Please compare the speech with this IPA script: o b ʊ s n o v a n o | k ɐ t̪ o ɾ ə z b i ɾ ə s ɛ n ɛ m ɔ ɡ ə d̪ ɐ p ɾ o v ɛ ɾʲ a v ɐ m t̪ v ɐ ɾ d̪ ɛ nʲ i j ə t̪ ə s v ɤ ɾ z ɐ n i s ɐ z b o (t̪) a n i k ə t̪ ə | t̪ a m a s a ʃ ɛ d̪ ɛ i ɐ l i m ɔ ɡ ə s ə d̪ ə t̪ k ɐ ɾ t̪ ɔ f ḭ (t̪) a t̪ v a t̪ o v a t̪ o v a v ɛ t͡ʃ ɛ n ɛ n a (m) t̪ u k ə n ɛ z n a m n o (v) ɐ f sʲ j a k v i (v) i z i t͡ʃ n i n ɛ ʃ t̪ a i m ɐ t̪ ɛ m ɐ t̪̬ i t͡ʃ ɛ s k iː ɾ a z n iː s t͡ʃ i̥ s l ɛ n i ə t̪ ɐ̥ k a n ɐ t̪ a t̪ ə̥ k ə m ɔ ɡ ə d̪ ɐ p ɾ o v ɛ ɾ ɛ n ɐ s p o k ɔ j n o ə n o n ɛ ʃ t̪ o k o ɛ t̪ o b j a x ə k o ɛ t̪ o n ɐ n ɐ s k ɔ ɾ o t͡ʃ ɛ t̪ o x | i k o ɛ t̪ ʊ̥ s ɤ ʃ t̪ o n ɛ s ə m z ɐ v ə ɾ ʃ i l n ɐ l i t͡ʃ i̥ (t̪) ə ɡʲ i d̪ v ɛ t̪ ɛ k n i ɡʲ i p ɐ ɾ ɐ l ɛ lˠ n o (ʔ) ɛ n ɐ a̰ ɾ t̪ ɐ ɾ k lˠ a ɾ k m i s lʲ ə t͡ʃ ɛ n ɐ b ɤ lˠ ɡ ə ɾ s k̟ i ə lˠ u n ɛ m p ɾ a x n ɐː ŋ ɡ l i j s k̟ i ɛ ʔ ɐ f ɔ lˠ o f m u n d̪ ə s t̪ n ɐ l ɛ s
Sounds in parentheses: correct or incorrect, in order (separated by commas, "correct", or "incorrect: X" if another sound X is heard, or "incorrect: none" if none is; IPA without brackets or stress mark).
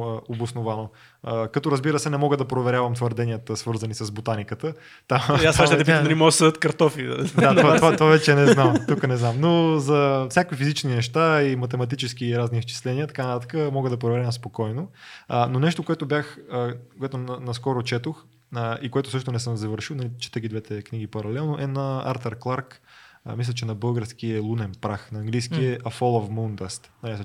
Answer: correct, incorrect: d̪, correct, incorrect: z, incorrect: f, correct, correct